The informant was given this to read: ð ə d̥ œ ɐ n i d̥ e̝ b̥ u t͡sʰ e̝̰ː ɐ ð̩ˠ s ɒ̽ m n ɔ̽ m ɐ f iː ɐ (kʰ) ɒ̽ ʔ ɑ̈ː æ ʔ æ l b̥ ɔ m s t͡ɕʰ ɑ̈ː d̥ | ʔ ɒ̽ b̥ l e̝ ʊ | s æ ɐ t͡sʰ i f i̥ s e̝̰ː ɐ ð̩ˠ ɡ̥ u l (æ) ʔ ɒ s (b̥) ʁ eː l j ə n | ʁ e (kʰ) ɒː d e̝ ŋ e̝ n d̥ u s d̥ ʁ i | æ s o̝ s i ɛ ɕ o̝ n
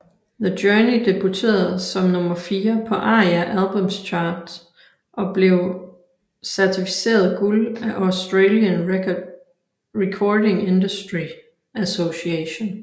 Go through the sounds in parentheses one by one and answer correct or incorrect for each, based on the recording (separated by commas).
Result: incorrect, correct, incorrect, correct